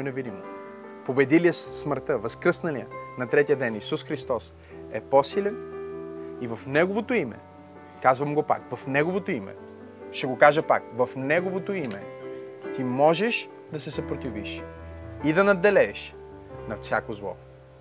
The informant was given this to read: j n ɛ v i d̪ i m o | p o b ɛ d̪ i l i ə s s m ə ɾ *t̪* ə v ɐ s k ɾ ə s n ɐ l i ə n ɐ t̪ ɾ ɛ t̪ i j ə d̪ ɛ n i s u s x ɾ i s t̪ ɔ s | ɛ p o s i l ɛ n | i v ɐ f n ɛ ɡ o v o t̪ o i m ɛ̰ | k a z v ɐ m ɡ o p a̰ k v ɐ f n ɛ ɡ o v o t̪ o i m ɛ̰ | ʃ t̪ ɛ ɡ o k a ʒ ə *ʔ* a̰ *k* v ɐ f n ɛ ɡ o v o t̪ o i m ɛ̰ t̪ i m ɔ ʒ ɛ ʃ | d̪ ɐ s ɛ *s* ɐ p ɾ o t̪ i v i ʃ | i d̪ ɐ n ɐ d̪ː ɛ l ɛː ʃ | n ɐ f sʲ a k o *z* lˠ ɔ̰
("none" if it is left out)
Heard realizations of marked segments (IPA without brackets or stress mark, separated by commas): t̪, p, k, s, z